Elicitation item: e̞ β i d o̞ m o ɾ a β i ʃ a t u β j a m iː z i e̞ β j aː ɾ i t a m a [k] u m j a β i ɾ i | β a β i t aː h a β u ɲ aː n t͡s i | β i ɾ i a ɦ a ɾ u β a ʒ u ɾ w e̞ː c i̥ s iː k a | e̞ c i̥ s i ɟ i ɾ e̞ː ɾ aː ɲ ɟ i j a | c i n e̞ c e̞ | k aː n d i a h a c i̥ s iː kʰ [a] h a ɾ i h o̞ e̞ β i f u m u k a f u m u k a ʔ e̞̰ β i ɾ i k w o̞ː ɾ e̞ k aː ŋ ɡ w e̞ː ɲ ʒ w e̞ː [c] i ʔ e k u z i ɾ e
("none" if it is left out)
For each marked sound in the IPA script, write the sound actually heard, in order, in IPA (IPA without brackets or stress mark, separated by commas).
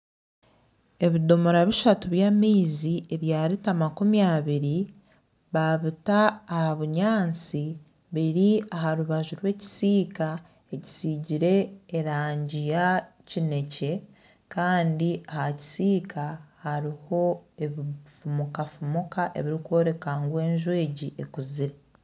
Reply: k, a, ɟ